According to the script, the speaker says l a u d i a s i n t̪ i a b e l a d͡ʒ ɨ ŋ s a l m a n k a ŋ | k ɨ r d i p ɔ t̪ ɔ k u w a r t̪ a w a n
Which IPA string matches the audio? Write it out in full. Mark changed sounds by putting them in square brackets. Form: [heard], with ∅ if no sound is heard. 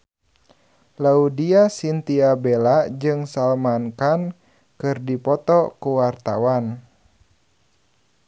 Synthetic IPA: l a u d i a s i n t̪ i a b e l a d͡ʒ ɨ ŋ s a l m a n k a [n] | k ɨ r d i p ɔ t̪ ɔ k u w a r t̪ a w a n